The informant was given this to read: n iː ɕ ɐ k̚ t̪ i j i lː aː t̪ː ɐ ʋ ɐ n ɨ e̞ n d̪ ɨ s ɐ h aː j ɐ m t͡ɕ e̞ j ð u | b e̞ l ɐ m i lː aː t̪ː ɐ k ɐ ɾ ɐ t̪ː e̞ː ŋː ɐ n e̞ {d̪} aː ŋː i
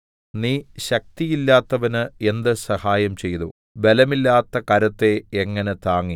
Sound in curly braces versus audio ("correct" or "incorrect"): incorrect